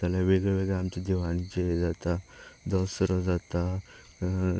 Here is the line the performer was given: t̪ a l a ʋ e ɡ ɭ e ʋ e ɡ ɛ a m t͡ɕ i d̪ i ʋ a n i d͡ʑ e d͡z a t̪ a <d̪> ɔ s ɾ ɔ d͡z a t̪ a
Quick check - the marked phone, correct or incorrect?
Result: correct